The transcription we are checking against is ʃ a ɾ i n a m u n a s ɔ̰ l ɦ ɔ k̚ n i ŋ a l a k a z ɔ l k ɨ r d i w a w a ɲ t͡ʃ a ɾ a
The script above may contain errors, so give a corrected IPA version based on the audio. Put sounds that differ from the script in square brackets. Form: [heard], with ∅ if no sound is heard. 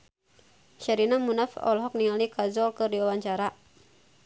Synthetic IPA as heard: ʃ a ɾ i n a m u n a [f] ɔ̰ l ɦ ɔ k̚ n i ŋ a l [i] k a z ɔ l k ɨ r d i w a w a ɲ t͡ʃ a ɾ a